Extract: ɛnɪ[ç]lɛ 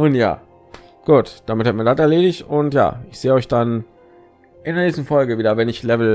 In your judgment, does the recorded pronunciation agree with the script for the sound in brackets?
yes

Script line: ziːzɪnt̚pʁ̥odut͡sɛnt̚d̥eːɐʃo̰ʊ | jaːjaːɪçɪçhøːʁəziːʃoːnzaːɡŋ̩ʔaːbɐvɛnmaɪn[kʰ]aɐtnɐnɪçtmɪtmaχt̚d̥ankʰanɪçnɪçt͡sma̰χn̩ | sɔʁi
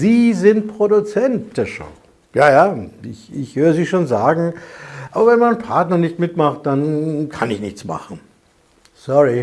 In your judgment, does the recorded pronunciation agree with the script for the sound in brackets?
no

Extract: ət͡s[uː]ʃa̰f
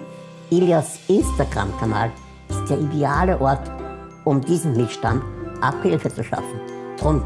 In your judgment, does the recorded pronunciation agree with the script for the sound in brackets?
no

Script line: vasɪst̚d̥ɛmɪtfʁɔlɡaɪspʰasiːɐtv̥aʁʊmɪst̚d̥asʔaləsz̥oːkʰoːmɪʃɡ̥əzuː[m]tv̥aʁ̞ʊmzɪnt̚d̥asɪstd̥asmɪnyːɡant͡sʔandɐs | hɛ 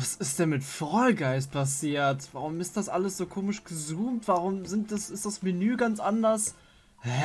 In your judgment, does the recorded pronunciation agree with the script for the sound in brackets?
yes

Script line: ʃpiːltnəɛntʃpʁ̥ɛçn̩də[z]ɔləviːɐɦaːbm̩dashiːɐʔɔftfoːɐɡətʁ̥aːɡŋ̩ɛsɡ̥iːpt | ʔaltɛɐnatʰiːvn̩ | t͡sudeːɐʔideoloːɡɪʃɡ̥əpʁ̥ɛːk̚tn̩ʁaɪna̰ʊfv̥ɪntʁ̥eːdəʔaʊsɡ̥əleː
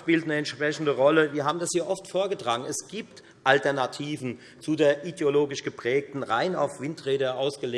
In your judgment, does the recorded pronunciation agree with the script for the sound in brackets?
no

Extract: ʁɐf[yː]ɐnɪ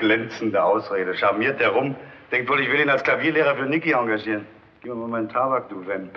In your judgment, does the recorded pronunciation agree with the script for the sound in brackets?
yes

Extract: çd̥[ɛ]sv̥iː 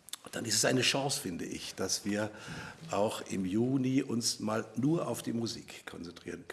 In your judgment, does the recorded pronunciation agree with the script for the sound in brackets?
no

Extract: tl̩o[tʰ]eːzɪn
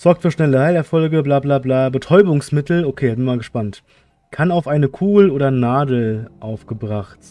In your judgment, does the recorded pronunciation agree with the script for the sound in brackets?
no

